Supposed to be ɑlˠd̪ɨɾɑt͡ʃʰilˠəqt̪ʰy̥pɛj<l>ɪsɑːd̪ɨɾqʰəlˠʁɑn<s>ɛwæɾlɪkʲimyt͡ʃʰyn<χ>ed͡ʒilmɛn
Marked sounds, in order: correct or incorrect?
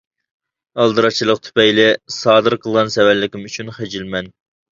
correct, correct, correct

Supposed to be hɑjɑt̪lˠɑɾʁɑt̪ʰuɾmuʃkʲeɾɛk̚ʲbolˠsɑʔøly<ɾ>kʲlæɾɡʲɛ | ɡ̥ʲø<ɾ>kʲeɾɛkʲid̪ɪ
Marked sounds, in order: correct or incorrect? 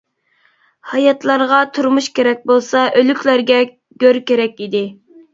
incorrect: none, correct

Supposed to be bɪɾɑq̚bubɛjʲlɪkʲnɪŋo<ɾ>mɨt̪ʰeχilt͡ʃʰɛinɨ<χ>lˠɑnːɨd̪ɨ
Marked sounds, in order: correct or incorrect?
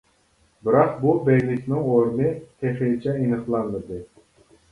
correct, correct

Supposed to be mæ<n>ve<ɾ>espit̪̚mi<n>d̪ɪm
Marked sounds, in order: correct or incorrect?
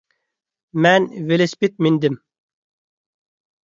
correct, incorrect: l, correct

